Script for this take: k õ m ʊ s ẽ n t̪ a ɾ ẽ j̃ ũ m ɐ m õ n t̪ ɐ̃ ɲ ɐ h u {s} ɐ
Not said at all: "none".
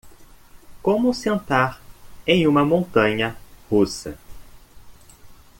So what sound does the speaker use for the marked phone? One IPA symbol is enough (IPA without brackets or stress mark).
s